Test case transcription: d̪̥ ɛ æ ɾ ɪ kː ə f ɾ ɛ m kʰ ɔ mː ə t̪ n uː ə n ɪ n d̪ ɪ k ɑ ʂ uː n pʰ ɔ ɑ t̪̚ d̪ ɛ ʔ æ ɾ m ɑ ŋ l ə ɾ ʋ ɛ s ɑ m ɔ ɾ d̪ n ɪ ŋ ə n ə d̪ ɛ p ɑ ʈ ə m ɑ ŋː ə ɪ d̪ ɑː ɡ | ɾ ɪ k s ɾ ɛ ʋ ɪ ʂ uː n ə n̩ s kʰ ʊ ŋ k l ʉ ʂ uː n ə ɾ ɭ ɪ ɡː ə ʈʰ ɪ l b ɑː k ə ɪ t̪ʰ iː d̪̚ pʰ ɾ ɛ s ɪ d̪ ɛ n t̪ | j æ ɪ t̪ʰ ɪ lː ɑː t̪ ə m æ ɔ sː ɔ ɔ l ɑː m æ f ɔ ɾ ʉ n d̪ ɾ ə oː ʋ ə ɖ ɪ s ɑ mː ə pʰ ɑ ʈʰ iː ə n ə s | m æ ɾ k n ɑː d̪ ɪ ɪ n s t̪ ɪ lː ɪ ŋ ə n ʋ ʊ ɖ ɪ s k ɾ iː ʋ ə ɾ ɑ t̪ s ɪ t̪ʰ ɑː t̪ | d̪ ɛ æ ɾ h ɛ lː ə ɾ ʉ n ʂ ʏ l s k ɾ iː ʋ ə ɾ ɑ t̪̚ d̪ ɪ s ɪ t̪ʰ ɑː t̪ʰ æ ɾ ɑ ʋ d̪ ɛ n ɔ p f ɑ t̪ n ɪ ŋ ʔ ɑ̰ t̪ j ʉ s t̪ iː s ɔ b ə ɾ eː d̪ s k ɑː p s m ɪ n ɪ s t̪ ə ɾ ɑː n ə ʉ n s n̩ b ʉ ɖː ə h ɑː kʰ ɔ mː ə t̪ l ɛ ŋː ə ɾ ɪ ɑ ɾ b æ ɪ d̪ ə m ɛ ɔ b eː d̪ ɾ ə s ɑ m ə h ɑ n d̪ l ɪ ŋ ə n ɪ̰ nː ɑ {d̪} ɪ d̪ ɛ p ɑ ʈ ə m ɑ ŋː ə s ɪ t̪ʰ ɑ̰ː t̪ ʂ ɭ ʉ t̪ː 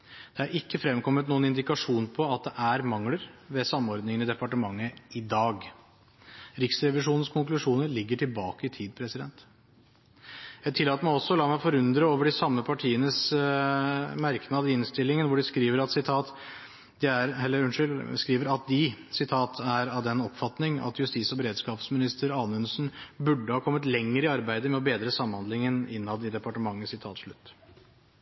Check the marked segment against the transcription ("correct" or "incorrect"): correct